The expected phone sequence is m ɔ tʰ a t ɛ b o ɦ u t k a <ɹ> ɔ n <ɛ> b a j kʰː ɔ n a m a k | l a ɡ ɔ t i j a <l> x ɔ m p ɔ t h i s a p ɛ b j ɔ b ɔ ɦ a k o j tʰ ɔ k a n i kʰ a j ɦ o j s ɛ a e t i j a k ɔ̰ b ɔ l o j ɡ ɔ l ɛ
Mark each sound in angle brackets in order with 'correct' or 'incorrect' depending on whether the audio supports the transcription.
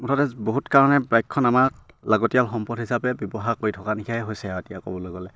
correct, correct, correct

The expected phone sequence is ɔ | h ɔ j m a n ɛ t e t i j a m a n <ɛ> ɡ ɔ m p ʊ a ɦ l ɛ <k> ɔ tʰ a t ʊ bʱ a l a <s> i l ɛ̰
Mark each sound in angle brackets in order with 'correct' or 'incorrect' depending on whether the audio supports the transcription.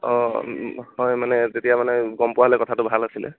correct, correct, correct

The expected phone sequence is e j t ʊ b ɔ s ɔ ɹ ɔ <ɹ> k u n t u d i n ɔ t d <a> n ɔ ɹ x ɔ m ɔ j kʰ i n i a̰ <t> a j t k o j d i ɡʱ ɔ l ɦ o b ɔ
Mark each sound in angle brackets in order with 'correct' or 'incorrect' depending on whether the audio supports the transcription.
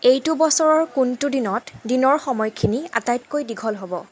correct, incorrect: i, correct

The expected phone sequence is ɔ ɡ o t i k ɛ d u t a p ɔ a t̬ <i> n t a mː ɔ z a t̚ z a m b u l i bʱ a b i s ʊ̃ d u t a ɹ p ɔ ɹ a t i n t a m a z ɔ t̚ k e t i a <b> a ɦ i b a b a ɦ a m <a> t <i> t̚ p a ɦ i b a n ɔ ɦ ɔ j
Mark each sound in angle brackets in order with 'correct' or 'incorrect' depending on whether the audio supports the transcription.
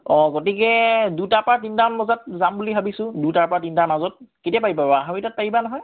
correct, incorrect: p, incorrect: i, incorrect: a

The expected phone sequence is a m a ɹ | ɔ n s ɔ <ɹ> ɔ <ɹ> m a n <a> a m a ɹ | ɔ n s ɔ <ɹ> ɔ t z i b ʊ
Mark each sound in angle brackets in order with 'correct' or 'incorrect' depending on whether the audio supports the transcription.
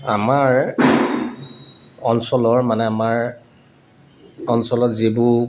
incorrect: l, correct, incorrect: ɛ, incorrect: l

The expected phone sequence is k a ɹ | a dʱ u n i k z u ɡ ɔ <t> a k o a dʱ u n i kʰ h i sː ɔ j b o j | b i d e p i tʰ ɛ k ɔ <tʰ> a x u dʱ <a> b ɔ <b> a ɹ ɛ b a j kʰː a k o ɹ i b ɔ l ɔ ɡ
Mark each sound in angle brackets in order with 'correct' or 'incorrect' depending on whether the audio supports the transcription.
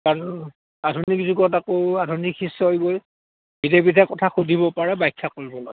correct, correct, incorrect: i, incorrect: p

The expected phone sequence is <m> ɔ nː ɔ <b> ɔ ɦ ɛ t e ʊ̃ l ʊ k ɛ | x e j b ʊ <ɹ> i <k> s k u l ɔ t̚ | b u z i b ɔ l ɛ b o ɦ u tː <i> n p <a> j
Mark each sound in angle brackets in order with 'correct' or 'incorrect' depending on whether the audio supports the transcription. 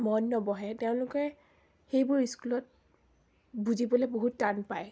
correct, correct, correct, incorrect: none, incorrect: a, correct

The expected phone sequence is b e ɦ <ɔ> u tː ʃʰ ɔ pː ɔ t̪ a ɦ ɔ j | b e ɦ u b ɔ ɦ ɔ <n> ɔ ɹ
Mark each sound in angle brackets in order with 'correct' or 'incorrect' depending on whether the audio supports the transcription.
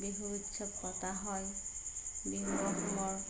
incorrect: u, incorrect: m

